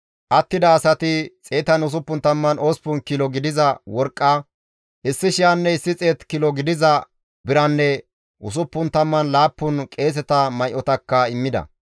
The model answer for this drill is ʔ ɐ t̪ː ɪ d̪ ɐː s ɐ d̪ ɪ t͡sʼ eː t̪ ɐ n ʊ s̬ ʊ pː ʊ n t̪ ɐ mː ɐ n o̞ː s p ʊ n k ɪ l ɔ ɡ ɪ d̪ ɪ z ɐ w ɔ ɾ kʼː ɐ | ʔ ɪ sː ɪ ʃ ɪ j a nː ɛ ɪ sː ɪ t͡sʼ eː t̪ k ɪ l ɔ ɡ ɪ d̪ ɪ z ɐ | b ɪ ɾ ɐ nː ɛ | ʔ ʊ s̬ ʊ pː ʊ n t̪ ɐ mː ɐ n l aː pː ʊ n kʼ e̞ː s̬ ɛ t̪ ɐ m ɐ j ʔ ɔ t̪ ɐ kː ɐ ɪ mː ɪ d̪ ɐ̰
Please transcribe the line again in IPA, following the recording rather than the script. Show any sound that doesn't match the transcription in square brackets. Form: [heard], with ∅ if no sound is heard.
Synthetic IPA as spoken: ʔ ɐ t̪ː ɪ d̪ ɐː s ɐ [t̪] ɪ t͡sʼ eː t̪ ɐ n ʊ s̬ ʊ pː ʊ n t̪ ɐ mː ɐ n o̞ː s p ʊ n k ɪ l ɔ ɡ ɪ d̪ ɪ z ɐ w ɔ ɾ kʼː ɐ | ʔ ɪ sː ɪ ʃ ɪ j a nː ɛ ɪ sː ɪ t͡sʼ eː t̪ k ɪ l ɔ ɡ ɪ d̪ ɪ z ɐ | b ɪ ɾ ɐ nː ɛ | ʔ ʊ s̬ ʊ pː ʊ n t̪ ɐ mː ɐ n l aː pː ʊ n kʼ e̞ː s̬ ɛ t̪ ɐ m ɐ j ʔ ɔ t̪ ɐ kː ɐ ɪ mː ɪ d̪ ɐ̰